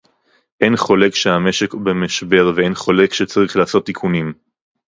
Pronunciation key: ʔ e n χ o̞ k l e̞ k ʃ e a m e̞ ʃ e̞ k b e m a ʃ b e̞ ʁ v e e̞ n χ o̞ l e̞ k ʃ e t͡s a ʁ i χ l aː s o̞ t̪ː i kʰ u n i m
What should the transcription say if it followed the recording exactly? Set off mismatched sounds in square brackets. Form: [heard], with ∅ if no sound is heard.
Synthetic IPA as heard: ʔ e n χ o̞ [∅] l e̞ k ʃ e a m e̞ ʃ e̞ k b e m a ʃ b e̞ ʁ v e e̞ n χ o̞ l e̞ k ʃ e t͡s a ʁ i χ l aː s o̞ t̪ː i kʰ u n i m